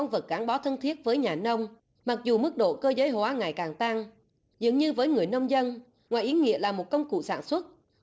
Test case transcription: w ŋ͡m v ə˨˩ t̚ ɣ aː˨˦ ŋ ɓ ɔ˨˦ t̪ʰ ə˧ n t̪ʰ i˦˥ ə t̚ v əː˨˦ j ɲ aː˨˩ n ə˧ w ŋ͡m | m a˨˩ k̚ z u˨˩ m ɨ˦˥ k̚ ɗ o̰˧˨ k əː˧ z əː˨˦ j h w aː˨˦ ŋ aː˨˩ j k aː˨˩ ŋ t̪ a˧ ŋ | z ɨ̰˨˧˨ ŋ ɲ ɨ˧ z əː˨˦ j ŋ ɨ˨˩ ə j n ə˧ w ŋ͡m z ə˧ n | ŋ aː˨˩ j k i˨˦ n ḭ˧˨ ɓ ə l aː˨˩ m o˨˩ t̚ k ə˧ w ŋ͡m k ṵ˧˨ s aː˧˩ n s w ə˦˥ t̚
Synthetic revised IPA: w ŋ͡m v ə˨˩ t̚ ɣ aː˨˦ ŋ ɓ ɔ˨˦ t̪ʰ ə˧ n t̪ʰ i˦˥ ə t̚ v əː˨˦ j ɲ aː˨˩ n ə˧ w ŋ͡m | m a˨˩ k̚ z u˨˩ m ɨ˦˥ k̚ ɗ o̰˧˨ k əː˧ z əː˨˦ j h w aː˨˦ ŋ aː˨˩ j k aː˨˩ ŋ t̪ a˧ ŋ | z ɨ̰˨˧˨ ŋ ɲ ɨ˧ v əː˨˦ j ŋ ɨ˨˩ ə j n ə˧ w ŋ͡m z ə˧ n | ŋ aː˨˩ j ʔ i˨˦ ŋ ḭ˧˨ ə l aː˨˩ m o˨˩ t̚ k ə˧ w ŋ͡m k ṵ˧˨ s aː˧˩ n s w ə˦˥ t̚